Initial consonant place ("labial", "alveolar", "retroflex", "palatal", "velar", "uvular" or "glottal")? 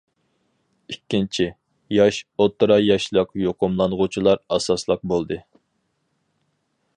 velar